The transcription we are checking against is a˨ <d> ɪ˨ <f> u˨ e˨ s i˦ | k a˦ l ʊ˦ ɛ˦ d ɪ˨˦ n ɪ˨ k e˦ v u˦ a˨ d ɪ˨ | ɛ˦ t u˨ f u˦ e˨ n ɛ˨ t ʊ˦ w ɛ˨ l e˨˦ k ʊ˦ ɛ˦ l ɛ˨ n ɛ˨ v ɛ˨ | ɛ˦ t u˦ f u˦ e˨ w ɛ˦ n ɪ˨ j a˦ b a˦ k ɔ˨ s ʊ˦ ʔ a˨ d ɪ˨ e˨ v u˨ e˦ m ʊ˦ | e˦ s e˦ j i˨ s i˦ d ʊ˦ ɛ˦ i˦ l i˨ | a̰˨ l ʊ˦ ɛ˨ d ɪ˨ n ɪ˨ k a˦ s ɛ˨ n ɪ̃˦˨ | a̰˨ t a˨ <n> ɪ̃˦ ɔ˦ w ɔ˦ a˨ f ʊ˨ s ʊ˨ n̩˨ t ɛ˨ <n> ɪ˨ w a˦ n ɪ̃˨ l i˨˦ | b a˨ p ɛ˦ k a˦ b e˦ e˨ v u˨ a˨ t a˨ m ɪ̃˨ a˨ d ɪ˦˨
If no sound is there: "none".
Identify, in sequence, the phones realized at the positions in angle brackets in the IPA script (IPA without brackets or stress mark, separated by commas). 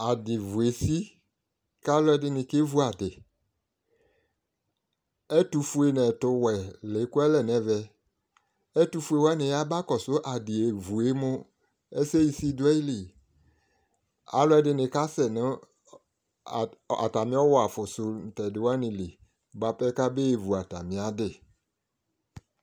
d, v, m, d